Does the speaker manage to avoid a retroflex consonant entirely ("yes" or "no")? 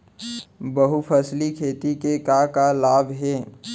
yes